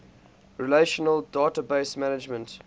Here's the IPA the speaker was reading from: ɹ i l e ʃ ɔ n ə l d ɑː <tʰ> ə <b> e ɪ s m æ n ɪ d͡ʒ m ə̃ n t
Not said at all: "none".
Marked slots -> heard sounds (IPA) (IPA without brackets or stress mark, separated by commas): t, b